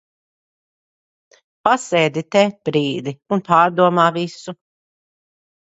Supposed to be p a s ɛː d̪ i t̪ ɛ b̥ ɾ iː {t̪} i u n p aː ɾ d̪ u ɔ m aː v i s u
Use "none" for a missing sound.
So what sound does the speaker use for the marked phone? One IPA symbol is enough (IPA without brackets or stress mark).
d̪